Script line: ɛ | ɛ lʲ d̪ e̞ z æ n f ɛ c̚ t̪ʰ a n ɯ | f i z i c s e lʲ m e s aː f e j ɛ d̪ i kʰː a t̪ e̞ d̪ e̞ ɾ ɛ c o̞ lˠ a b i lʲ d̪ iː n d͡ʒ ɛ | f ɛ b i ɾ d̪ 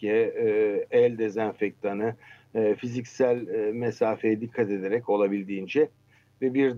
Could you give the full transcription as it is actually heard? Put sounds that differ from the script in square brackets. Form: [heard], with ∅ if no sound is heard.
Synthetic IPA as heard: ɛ | ɛ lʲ d̪ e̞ z æ n f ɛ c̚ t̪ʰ a n ɯ | f i z i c s [æ] lʲ m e s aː f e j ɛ d̪ i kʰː a t̪ e̞ d̪ e̞ ɾ ɛ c o̞ lˠ a b i lʲ d̪ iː n d͡ʒ ɛ | [v] ɛ b i ɾ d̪